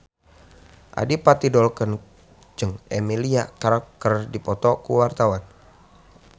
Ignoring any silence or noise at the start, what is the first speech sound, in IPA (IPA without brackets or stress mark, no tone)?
ʔ